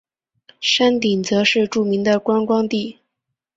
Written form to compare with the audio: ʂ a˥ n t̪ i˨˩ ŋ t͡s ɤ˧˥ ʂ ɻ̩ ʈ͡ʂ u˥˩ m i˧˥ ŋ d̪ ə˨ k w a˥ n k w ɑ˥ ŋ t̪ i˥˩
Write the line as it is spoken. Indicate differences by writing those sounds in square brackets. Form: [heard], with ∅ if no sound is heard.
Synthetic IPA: ʂ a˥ n t̪ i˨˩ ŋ t͡s ɤ˧˥ ʂ ɻ̩ ʈ͡ʂ u˥˩ m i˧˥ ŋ d̪ ə˨ k w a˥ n k w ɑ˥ ŋ t̪ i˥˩

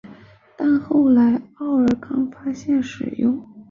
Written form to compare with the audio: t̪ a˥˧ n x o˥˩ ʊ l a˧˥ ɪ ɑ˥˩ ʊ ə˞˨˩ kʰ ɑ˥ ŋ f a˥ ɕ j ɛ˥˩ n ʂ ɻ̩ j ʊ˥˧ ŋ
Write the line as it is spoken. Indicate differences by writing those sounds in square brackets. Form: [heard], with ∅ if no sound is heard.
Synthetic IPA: t̪ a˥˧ n x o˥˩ ʊ l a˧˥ ɪ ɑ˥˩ ʊ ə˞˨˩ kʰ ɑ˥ ŋ f a˥ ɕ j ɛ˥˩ n ʂ ɻ̩ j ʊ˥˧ ŋ

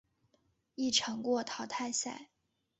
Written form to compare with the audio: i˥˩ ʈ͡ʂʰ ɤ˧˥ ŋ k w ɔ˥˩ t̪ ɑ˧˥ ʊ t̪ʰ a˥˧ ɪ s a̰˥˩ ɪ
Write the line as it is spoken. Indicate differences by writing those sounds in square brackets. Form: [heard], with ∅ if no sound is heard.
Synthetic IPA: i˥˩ ʈ͡ʂʰ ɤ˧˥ ŋ k w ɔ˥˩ [t̪ʰ] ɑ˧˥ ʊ t̪ʰ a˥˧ ɪ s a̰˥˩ ɪ

